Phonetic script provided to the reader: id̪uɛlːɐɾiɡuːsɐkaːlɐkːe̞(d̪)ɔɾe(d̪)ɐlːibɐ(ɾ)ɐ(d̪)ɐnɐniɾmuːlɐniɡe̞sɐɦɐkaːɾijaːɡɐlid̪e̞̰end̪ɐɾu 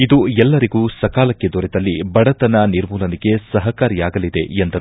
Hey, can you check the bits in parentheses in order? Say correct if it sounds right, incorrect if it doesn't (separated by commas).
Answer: correct, correct, incorrect, incorrect